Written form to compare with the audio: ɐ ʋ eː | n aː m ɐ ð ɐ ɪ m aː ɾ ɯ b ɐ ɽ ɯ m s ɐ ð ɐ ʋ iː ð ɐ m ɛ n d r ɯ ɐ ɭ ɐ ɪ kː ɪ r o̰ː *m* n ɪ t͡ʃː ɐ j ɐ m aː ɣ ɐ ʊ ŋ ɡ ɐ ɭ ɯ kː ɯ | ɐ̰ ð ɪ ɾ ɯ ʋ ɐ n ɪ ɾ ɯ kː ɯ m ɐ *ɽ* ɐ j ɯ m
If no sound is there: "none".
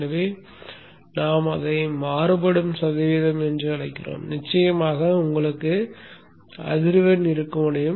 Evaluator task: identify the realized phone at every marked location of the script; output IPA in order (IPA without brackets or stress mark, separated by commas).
m, ɽ